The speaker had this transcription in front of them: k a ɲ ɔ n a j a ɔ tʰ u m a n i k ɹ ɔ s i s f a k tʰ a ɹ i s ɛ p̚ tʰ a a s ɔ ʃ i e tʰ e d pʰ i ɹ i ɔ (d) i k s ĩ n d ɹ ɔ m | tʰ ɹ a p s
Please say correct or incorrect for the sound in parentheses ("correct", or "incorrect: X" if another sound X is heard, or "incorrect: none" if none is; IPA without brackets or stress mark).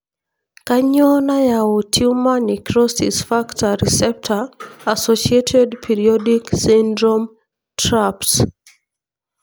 correct